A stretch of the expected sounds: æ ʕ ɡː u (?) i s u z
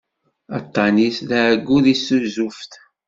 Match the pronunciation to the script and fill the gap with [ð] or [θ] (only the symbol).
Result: ð